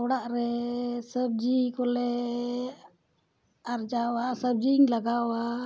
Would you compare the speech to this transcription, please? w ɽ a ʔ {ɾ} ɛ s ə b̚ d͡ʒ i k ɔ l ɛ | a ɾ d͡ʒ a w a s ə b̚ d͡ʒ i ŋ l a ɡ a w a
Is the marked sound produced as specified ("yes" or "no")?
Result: yes